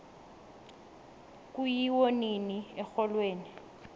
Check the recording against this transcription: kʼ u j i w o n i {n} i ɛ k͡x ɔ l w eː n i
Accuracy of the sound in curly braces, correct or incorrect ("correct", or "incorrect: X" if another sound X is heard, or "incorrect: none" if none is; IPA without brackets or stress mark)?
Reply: correct